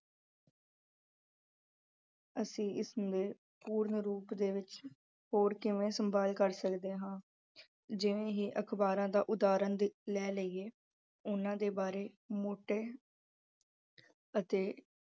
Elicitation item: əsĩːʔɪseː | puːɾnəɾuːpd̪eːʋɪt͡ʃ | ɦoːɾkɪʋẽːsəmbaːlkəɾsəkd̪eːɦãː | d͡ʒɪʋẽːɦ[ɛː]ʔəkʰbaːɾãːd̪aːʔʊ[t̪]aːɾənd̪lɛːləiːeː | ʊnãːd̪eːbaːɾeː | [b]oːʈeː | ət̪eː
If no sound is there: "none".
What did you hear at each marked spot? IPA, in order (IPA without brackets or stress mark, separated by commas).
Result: iː, d̪, m